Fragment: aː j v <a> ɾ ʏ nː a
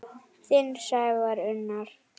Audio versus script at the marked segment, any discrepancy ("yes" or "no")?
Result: no